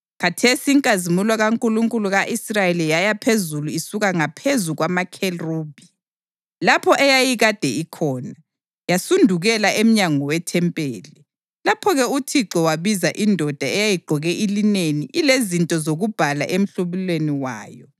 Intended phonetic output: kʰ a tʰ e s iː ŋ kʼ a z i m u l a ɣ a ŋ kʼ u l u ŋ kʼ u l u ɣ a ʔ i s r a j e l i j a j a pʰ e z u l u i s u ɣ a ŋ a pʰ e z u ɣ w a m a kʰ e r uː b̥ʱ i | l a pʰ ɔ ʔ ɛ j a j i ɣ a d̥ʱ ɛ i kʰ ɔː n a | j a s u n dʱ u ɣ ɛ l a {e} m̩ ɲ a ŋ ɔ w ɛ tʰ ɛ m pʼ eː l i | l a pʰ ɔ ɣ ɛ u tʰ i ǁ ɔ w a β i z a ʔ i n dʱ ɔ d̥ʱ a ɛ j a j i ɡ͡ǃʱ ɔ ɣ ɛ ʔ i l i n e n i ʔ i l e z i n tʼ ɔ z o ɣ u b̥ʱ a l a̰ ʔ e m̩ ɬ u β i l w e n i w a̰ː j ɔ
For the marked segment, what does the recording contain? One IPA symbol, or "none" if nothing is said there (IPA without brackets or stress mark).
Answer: e